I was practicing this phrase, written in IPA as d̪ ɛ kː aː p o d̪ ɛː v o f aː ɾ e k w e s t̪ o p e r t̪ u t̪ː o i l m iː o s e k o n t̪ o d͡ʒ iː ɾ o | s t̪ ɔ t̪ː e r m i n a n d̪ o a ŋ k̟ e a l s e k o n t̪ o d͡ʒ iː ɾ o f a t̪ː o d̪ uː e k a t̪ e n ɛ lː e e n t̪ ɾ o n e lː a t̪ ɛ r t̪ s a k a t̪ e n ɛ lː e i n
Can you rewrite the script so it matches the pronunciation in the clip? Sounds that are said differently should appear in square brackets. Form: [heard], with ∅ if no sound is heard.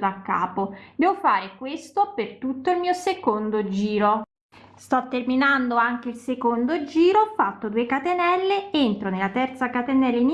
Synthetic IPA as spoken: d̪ [a] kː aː p o d̪ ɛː v o f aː ɾ e k w e s t̪ o p e r t̪ u t̪ː o i l m iː o s e k o n [d̪] o d͡ʒ iː ɾ o | s t̪ ɔ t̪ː e r m i n a n d̪ o a ŋ k̟ e [i] l s e k o n [d̪] o d͡ʒ iː ɾ o f a t̪ː o d̪ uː e k a t̪ e n ɛ lː e e n t̪ ɾ o n e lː a t̪ ɛ r t̪ s a k a t̪ e n ɛ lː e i n